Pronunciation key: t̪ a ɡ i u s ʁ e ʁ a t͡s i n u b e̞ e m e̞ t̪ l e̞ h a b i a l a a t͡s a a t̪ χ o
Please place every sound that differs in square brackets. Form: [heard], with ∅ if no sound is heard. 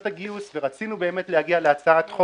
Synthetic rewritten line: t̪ a ɡ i u s [v] e ʁ a t͡s i n u b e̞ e m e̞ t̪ l e̞ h a [ɡ] i a l [e] a t͡s a a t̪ χ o